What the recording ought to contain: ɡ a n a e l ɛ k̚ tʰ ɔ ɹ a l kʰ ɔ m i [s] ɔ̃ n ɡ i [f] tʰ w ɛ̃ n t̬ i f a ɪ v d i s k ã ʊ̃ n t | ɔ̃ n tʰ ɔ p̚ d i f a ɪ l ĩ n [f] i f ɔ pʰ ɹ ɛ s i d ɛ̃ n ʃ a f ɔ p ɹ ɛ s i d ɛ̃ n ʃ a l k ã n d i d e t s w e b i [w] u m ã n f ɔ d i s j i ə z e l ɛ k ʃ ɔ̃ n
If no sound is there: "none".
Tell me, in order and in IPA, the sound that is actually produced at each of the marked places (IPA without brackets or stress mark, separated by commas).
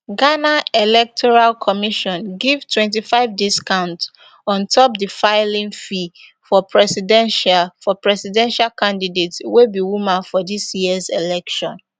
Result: ʃ, v, f, w